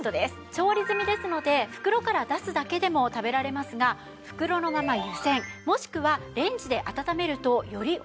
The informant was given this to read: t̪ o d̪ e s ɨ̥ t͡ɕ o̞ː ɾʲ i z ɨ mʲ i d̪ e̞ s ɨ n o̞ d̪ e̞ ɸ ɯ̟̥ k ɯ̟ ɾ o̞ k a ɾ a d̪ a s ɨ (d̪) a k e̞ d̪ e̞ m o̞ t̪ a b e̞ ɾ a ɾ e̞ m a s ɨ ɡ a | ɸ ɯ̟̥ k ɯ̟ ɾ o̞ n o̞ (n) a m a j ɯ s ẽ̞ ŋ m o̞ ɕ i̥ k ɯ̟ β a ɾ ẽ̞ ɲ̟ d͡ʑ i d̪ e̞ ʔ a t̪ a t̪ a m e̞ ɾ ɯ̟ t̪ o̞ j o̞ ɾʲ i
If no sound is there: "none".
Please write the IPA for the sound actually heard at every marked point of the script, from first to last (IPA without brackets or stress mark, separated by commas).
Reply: d̪, m